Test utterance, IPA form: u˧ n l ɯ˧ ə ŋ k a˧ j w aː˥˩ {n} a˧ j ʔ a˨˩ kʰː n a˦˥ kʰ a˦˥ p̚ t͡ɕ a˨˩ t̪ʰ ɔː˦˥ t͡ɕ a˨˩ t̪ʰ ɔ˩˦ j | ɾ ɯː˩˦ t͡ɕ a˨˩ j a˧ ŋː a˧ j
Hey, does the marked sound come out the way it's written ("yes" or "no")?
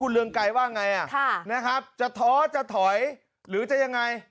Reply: no